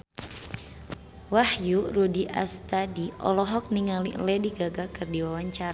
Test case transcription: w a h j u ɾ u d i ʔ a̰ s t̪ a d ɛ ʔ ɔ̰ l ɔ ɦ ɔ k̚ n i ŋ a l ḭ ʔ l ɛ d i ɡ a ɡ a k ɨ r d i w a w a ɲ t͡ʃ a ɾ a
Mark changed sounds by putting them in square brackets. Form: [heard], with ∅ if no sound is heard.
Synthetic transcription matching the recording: w a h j u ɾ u d i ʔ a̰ s t̪ a d [i] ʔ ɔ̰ l ɔ ɦ ɔ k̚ n i ŋ a l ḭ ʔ l ɛ d i ɡ a ɡ a k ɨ r d i w a w a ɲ t͡ʃ a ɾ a